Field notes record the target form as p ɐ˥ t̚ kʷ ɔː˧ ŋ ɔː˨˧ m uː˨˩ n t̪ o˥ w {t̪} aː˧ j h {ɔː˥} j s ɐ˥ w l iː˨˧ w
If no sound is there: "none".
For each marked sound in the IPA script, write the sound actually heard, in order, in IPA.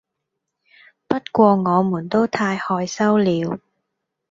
t̪ʰ, ɔː˧

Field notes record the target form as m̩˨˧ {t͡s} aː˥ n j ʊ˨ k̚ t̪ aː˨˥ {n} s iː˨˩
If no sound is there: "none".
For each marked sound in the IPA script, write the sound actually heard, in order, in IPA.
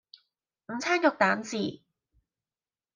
t͡sʰ, n

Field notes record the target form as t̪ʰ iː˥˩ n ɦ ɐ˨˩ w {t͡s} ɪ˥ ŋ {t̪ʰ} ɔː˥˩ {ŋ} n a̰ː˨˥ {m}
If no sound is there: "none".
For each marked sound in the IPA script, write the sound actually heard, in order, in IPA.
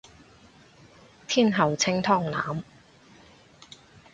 t͡sʰ, t̪ʰ, ŋ, m

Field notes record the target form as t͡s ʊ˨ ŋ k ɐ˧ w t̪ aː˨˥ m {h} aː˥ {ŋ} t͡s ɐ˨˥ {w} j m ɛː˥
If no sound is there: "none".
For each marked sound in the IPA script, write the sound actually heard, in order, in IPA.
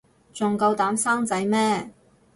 s, ŋ, none

